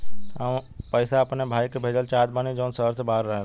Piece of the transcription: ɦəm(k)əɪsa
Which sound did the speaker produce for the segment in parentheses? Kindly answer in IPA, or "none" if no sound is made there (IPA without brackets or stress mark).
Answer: p